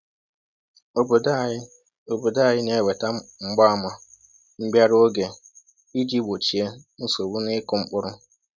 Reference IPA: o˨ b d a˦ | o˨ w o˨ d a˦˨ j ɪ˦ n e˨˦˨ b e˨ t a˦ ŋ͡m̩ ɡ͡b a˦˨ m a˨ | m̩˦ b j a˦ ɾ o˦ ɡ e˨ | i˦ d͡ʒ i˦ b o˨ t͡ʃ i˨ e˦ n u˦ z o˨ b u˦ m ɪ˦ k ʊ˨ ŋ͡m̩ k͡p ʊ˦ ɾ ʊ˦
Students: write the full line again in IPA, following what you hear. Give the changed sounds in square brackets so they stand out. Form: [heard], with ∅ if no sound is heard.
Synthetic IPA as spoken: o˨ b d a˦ | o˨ [b] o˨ d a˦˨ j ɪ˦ n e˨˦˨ [w] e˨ t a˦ ŋ͡m̩ ɡ͡b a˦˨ m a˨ | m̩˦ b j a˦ ɾ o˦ ɡ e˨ | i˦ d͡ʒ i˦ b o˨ t͡ʃ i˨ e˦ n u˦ [s] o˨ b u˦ [n] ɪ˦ k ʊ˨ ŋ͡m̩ k͡p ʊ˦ ɾ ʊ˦